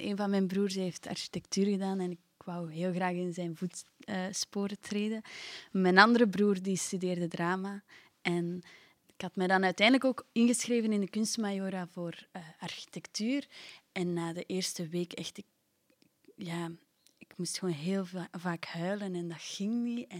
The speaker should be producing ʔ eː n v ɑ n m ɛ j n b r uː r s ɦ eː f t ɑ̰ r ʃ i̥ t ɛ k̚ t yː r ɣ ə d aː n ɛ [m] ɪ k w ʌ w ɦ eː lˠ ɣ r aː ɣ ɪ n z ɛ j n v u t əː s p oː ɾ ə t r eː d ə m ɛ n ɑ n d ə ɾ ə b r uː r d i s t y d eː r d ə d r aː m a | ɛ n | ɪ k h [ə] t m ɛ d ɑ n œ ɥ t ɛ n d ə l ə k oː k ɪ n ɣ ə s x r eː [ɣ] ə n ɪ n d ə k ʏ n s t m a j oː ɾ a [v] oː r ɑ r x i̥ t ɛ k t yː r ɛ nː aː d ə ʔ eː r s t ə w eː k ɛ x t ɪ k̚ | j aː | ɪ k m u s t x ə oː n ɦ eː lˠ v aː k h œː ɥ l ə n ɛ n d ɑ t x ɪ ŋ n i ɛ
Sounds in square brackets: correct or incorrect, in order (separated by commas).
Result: incorrect, incorrect, incorrect, correct